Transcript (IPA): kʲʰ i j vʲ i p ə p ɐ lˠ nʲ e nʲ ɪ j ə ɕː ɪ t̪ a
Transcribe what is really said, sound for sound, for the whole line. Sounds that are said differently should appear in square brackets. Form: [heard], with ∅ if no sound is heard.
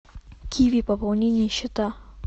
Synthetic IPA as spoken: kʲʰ i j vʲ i p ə p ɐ lˠ nʲ e nʲ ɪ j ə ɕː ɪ t̪ a